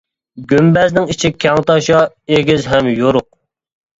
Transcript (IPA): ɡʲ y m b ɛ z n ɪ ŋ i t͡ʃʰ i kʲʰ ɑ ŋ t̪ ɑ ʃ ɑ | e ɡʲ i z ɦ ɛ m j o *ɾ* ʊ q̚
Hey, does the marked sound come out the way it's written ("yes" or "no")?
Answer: yes